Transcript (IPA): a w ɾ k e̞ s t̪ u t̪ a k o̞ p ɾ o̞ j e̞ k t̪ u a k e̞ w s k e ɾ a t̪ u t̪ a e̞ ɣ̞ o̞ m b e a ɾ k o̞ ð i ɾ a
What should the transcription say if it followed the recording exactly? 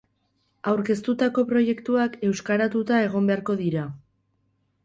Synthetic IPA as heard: a w ɾ k e̞ s t̪ u t̪ a k o̞ p ɾ o̞ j e̞ k t̪ u a k e̞ w s k a ɾ a t̪ u t̪ a e̞ ɣ̞ o̞ m b e a ɾ k o̞ ð i ɾ a